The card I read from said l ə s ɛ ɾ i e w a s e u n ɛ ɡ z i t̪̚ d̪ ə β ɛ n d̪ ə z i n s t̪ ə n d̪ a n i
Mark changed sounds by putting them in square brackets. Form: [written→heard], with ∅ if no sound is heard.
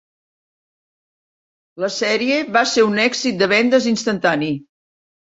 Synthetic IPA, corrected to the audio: l ə s ɛ ɾ i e [w→β] a s e u n ɛ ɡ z i t̪̚ d̪ ə β ɛ n d̪ ə z i n s t̪ ə n [d̪→t̪] a n i

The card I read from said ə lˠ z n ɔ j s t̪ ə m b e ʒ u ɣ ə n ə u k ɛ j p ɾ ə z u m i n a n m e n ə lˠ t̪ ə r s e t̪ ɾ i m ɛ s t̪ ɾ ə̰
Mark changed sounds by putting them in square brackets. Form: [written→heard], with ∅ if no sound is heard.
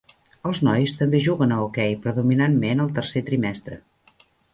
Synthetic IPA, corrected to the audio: ə lˠ z n ɔ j s t̪ ə m b e ʒ u ɣ ə n ə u k ɛ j p ɾ ə [z→ð] u m i n a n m e n ə lˠ t̪ ə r s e t̪ ɾ i m ɛ s t̪ ɾ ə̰

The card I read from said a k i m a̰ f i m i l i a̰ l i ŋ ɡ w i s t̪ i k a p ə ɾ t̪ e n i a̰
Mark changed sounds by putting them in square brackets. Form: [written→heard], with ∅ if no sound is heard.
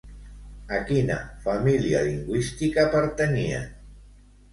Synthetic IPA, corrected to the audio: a k i [m→n] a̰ f [i→a] m i l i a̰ l i ŋ ɡ w i s t̪ i k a p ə ɾ t̪ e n i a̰

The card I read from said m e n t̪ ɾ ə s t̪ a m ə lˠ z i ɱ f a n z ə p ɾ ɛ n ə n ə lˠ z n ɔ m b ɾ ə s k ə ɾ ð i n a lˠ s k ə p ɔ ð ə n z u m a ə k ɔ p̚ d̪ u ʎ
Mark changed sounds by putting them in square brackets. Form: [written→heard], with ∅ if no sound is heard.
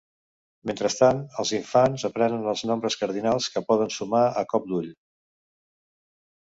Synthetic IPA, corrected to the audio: m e n t̪ ɾ ə s t̪ a [m→n] ə lˠ z i ɱ f a n z ə p ɾ ɛ n ə n ə lˠ z n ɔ m b ɾ ə s k ə ɾ ð i n a lˠ s k ə p ɔ ð ə n [z→s] u m a ə k ɔ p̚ d̪ u ʎ

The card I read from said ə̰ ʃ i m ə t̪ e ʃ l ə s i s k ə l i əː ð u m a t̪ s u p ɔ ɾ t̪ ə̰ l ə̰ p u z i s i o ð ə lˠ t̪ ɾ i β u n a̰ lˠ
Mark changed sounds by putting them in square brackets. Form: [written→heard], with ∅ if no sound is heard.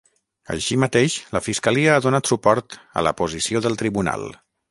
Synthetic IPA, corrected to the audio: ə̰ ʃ i m ə t̪ e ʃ l ə [s→f] i s k ə l i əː ð u [m→n] a t̪ s u p ɔ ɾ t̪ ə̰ l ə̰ p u z i s i o ð ə lˠ t̪ ɾ i β u n a̰ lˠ

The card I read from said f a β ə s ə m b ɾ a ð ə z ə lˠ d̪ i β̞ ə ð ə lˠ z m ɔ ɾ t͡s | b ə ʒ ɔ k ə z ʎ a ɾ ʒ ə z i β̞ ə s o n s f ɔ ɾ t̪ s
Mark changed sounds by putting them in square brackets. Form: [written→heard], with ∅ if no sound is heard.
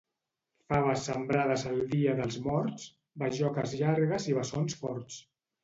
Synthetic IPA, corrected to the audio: f a β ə s ə m b ɾ a ð ə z ə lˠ d̪ i [β̞→∅] ə ð ə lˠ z m ɔ ɾ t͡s | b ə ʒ ɔ k ə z ʎ a ɾ [ʒ→ɣ] ə z i β̞ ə s o n s f ɔ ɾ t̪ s

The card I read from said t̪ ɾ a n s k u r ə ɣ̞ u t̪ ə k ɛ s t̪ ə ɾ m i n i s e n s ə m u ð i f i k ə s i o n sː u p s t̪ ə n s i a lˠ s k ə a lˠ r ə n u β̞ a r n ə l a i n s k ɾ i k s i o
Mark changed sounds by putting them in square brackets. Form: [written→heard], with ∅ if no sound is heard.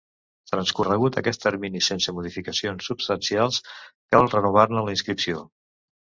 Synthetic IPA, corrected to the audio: t̪ ɾ [a→ə] n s k u r ə ɣ̞ u t̪ ə k ɛ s t̪ ə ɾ m i n i s e n s ə m u ð i f i k ə s i o n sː u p s t̪ ə n s i a lˠ s k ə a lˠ r ə n u β̞ a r n ə l [a→ə] i n s k ɾ i [k→p] s i o

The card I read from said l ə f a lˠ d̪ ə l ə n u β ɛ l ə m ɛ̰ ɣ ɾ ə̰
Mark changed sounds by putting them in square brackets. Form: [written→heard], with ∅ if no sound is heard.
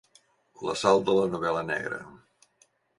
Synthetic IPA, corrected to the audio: l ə [f→s] a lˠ d̪ ə l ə n u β ɛ l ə [m→n] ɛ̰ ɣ ɾ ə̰

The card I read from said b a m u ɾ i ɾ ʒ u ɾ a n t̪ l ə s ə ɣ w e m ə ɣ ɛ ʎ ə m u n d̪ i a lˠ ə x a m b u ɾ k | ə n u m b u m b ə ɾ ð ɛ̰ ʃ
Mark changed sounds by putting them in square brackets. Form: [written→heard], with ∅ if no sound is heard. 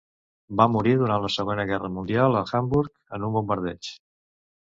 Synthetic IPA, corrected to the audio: b a m u ɾ i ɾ [ʒ→ð] u ɾ a n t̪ l ə s ə ɣ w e [m→n] ə ɣ ɛ [ʎ→r] ə m u n d̪ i a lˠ ə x a m b u ɾ k | ə n u m b u m b ə ɾ ð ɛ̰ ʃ

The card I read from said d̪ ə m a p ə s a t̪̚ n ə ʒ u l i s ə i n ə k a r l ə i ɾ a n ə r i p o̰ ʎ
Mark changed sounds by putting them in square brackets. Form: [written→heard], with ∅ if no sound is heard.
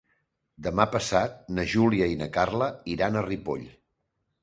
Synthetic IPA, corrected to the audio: d̪ ə m a p ə s a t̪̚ n ə ʒ u l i [s→∅] ə i n ə k a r l ə i ɾ a n ə r i p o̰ ʎ

